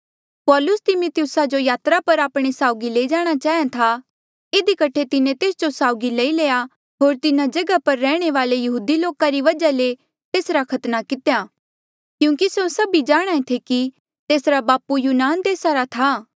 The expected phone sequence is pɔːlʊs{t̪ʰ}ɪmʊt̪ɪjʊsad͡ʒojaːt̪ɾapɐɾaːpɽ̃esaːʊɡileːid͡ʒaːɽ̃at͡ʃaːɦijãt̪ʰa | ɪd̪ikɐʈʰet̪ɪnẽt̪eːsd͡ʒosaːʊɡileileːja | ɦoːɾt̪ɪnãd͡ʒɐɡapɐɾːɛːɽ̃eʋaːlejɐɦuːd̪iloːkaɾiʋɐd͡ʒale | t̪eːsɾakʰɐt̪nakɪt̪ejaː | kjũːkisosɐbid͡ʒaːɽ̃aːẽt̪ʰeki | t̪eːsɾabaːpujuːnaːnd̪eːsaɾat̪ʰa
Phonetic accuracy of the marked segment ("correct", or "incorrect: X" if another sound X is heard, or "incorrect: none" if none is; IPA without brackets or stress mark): incorrect: t̪